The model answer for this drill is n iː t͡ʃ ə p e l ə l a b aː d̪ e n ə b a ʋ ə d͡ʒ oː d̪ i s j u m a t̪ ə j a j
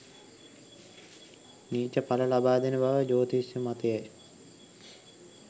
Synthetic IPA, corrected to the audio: n iː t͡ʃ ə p a l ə l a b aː d̪ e n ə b a ʋ ə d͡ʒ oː t̪ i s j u m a t̪ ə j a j